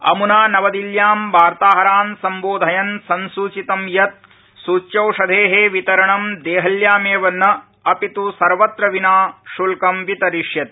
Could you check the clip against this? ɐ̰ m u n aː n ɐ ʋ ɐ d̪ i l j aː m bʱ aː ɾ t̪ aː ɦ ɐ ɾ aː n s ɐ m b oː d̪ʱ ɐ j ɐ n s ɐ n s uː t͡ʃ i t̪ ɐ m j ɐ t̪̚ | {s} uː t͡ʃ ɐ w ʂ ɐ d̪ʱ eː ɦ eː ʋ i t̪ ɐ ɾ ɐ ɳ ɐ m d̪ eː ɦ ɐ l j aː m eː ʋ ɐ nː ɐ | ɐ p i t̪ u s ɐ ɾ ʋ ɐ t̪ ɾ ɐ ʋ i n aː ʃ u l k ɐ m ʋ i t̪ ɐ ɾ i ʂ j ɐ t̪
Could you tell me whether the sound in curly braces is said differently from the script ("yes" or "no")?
no